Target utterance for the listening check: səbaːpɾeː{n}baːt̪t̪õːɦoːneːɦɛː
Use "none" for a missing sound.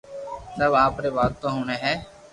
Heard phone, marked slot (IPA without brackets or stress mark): none